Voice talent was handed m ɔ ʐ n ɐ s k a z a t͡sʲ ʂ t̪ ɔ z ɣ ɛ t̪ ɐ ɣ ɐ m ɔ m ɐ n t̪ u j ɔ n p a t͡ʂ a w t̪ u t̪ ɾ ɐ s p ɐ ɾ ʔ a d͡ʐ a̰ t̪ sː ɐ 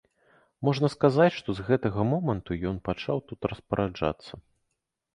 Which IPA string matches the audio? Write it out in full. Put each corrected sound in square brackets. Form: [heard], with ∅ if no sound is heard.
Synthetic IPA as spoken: m ɔ ʐ n ɐ s k a z a t͡sʲ ʂ t̪ ɔ z ɣ ɛ t̪ ɐ ɣ ɐ m ɔ m ɐ n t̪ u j ɔ n p a t͡ʂ a w t̪ u t̪ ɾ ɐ s p ɐ ɾ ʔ a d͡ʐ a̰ t̪ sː ɐ